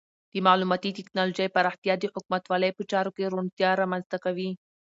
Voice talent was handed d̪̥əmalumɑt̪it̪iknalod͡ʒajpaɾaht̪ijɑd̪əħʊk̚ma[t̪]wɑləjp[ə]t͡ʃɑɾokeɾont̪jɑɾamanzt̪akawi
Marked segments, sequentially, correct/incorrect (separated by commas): correct, correct